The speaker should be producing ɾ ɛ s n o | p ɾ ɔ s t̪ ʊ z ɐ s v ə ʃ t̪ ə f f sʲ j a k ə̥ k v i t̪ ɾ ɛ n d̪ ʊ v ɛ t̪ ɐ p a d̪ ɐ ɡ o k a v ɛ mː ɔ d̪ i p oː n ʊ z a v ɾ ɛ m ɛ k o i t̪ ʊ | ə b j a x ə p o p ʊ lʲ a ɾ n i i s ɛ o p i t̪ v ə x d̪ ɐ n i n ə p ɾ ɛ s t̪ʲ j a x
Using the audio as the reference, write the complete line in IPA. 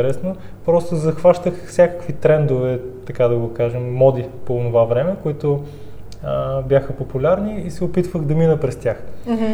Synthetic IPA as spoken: ɾ ɛ s n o | p ɾ ɔ s t̪ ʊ z ɐ x v a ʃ t̪ ə x f sʲ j a k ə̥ k v i t̪ ɾ ɛ n d̪ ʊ v ɛ t̪ ɐ k a d̪ ɐ ɡ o k a ʒ ɛ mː ɔ d̪ i p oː n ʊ v a v ɾ ɛ m ɛ k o i t̪ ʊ | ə b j a x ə p o p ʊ lʲ a ɾ n i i s ɛ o p i t̪ v ə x d̪ ɐ m i n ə p ɾ ɛ s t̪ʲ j a x